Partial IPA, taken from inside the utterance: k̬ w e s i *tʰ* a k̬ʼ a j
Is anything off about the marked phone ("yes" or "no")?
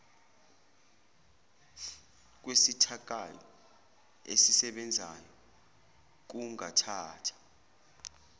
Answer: no